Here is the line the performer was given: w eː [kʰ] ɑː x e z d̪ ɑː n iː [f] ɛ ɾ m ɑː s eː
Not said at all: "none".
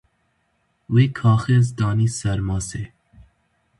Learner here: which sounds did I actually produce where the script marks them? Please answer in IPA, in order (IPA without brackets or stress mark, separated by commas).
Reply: kʰ, s